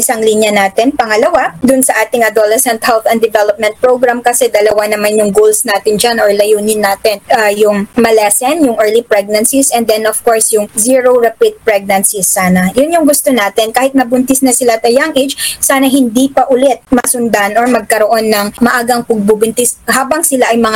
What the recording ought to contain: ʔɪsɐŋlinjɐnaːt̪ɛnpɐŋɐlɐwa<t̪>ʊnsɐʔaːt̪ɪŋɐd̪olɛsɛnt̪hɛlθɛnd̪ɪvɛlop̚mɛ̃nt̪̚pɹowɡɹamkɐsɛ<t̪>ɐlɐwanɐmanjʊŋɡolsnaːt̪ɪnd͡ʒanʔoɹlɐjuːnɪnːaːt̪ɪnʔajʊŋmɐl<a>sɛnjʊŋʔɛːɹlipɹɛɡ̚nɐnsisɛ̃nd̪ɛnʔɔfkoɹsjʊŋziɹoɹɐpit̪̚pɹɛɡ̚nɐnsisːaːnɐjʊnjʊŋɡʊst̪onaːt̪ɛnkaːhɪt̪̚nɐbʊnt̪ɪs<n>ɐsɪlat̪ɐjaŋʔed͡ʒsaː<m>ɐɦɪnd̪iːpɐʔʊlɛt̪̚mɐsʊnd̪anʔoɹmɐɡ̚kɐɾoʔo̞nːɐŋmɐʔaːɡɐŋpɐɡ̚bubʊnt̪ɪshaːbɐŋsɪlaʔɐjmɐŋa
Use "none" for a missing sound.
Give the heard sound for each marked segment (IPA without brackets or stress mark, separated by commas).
d̪, d̪, ɛ, n, n